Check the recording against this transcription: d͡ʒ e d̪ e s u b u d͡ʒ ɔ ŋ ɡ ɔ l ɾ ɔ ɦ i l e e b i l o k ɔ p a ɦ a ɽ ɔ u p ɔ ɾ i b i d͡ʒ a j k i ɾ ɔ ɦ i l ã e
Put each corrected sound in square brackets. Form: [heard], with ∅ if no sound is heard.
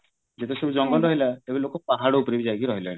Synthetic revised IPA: d͡ʒ e [t̪] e s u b u d͡ʒ ɔ ŋ ɡ ɔ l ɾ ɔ ɦ i l [a] e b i l o k ɔ p a ɦ a ɽ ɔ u p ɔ ɾ i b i d͡ʒ a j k i ɾ ɔ ɦ i l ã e

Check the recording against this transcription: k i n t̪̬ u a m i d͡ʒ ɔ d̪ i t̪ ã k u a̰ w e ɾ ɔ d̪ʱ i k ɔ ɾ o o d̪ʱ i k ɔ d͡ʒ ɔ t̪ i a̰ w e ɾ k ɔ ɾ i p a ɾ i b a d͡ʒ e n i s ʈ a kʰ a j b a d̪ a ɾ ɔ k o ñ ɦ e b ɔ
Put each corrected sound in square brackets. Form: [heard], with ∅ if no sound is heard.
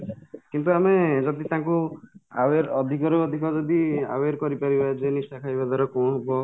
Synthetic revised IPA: k i n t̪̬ u a m [e] d͡ʒ ɔ d̪ i t̪ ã k u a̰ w e ɾ ɔ d̪ʱ i k ɔ ɾ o [ɔ] d̪ʱ i k ɔ d͡ʒ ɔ [d̪] i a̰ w e ɾ k ɔ ɾ i p a ɾ i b a d͡ʒ e n i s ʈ a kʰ a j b a d̪ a ɾ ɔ k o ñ ɦ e b ɔ

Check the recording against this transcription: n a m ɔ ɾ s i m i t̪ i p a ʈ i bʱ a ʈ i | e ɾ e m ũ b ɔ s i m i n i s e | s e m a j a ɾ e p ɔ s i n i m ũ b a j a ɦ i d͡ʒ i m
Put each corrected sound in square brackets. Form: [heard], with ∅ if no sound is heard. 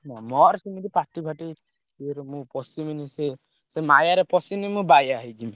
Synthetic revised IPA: n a m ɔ ɾ s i m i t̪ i p a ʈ i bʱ a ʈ i | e ɾ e m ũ [p] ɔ s i m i n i s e | s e m a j a ɾ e p ɔ s i n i m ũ b a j a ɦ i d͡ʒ i m

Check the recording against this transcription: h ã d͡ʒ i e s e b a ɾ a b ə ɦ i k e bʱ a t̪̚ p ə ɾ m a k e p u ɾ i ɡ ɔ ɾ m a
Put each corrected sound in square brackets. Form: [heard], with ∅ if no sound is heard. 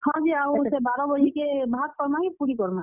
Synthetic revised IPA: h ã d͡ʒ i [a] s e b a ɾ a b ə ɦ i k e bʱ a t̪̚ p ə ɾ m a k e p u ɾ i [k] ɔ ɾ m a

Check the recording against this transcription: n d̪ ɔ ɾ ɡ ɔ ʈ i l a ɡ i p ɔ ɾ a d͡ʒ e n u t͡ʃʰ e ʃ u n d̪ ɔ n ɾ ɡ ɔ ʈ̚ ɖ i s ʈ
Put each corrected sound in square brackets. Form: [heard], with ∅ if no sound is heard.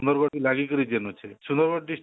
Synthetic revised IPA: n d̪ ɔ ɾ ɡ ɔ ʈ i l a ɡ i [k] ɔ ɾ [i] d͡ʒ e n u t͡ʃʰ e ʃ u n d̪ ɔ [∅] ɾ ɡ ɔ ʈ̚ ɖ i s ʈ

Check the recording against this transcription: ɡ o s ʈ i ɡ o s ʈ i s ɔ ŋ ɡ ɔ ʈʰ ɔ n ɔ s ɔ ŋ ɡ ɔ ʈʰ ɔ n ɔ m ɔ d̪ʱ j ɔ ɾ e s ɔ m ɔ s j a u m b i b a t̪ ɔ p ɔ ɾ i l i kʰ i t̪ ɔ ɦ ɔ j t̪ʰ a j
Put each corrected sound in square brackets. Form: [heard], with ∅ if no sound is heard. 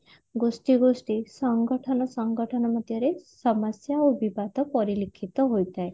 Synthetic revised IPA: ɡ o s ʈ i ɡ o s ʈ i s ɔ ŋ ɡ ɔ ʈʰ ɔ n ɔ s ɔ ŋ ɡ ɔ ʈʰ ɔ n ɔ m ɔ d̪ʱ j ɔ ɾ e s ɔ m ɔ s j a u [∅] b i b a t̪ ɔ p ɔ ɾ i l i kʰ i t̪ ɔ ɦ [o] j [t̪] a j

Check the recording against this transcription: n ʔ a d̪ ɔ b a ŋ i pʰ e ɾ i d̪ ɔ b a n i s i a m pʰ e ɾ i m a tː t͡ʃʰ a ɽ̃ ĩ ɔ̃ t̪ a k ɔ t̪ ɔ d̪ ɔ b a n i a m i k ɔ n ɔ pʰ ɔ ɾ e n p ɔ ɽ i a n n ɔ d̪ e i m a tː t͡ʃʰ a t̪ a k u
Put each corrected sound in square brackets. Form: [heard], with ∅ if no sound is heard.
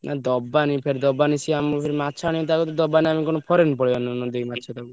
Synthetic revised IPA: n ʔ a d̪ ɔ b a [n] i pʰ e ɾ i d̪ ɔ b a n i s i a m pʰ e ɾ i m a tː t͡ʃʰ a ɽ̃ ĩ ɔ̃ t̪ a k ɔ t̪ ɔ d̪ ɔ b a n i a m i k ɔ n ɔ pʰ ɔ ɾ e n p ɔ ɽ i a n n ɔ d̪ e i m a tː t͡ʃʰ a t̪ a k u

